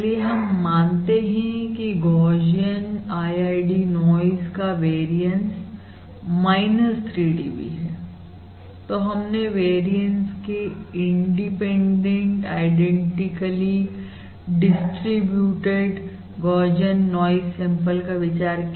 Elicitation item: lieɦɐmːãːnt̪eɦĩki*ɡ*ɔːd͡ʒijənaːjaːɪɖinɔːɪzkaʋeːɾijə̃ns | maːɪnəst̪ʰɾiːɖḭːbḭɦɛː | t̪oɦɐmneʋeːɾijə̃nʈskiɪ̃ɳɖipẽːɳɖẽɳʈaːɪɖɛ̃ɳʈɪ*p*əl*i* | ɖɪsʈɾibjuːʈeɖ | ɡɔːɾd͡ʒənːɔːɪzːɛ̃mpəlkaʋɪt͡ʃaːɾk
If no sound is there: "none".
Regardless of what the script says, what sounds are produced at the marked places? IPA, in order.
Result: ɡ, k, i

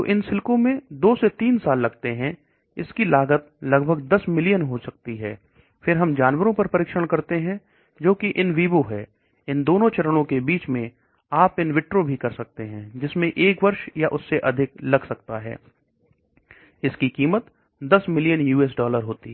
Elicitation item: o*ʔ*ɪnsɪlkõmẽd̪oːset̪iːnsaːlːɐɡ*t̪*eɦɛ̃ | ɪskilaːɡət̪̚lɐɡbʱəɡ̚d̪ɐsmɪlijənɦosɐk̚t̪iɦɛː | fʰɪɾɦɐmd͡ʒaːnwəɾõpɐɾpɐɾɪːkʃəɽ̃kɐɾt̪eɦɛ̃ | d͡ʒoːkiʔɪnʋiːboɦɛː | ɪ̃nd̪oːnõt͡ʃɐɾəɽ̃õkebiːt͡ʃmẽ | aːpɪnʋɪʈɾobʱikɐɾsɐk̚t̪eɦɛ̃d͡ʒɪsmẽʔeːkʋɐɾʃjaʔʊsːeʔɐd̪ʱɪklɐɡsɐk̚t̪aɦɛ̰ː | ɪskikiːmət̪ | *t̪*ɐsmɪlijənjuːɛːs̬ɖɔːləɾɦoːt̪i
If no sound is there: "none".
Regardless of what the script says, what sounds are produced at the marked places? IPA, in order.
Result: ʔ, t̪, d̪

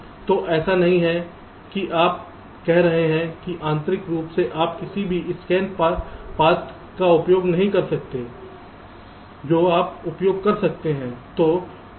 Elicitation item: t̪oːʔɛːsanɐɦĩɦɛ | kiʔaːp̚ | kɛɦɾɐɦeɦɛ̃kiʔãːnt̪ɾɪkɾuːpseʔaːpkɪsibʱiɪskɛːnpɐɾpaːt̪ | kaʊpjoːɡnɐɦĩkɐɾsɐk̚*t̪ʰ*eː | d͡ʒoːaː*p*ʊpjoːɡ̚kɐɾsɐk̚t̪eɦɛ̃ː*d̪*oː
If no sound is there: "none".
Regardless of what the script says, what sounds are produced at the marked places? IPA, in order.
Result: t̪, p, t̪

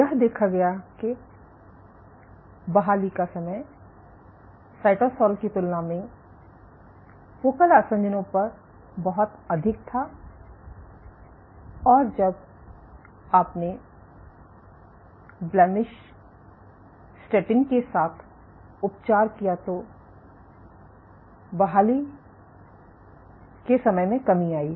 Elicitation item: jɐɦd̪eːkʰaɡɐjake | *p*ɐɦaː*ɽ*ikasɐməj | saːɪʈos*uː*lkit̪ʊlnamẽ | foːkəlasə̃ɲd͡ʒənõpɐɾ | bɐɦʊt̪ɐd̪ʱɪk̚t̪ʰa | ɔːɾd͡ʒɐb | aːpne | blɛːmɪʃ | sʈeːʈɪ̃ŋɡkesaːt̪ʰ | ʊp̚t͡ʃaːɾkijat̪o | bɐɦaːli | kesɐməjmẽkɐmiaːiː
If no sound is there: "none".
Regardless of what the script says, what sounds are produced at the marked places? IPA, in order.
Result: b, l, ɔː

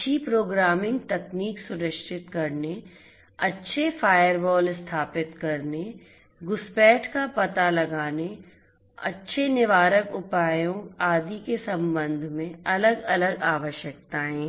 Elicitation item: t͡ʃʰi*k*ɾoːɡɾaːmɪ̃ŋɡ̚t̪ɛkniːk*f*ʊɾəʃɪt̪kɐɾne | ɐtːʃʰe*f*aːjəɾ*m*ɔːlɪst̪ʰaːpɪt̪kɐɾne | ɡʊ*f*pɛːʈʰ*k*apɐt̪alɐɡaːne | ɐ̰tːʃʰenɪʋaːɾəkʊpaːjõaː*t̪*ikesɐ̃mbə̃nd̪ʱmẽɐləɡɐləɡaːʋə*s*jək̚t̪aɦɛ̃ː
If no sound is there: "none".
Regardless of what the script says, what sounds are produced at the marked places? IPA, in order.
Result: p, s, f, b, s, k, d̪, ʃ

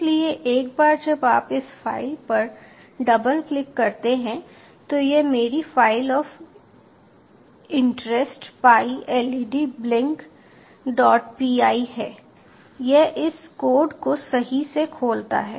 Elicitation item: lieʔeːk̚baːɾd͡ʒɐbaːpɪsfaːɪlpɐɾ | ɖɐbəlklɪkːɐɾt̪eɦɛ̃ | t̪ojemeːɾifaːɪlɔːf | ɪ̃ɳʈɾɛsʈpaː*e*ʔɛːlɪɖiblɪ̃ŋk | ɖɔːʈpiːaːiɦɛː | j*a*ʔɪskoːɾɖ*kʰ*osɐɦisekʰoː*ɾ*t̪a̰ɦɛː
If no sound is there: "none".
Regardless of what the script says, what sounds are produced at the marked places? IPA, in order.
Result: i, e, k, l

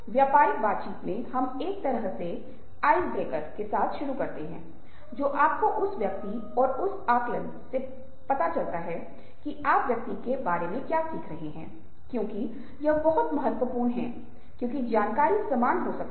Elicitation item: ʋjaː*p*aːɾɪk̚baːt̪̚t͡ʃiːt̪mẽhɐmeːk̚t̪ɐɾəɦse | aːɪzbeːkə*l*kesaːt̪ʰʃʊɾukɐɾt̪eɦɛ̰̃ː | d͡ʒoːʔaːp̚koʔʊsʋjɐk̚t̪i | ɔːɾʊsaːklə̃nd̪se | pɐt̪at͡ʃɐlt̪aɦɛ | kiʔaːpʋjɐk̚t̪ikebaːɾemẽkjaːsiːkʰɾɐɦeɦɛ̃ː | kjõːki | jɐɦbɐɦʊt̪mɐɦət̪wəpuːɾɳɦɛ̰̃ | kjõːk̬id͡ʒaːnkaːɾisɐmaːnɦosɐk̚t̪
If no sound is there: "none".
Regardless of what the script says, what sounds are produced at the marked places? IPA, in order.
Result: p, ɾ

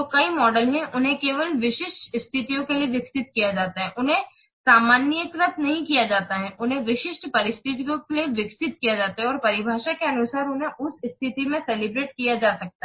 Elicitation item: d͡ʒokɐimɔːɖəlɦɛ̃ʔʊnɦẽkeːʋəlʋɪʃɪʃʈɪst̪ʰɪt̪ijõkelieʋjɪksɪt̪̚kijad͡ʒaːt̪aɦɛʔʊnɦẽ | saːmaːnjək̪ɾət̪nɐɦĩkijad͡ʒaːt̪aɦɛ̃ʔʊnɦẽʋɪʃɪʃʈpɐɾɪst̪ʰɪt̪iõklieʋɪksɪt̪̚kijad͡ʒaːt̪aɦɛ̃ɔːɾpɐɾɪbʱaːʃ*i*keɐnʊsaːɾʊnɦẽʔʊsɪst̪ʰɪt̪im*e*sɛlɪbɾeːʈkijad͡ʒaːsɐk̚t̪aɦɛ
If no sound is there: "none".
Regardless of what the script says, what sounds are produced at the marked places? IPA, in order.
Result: a, ẽ

